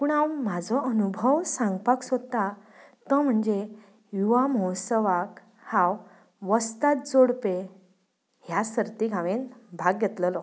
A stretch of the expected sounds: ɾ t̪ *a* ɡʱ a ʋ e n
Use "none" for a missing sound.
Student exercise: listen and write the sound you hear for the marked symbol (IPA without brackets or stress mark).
i